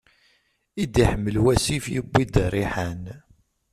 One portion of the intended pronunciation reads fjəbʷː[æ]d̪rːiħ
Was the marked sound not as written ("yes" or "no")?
yes